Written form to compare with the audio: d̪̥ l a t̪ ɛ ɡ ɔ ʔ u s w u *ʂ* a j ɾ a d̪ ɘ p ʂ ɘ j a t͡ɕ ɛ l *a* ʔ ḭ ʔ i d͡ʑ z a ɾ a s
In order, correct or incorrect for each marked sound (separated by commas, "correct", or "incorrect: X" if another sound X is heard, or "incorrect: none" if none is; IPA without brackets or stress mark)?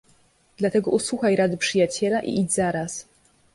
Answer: incorrect: x, correct